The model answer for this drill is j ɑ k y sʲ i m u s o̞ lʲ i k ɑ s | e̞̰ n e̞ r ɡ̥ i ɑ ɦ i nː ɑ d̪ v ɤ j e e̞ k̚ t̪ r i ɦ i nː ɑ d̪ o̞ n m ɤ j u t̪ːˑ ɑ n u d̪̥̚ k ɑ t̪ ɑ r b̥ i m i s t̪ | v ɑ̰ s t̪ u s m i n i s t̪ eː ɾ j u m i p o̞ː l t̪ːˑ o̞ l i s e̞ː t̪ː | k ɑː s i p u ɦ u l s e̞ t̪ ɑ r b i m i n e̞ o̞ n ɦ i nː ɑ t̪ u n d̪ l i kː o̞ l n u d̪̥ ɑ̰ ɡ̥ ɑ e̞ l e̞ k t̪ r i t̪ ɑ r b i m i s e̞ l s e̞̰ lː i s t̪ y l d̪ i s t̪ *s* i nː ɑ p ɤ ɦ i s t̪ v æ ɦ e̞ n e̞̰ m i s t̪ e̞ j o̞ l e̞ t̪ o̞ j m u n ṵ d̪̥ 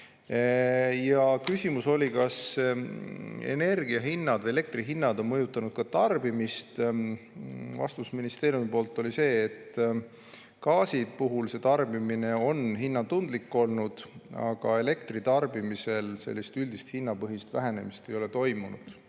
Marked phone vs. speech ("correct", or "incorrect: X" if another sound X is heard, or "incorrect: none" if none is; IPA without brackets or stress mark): incorrect: h